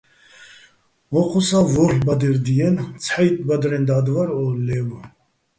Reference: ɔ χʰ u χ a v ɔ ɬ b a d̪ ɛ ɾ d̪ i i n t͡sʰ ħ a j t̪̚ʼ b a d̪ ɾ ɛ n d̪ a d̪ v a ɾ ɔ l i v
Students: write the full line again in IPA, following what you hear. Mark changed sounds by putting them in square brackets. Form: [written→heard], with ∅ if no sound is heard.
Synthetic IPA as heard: ɔ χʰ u [χ→s] a v ɔ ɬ b a d̪ ɛ ɾ d̪ i [i→ɛ] n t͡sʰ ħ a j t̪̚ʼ b a d̪ ɾ ɛ n d̪ a d̪ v a ɾ ɔ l [i→ɛ] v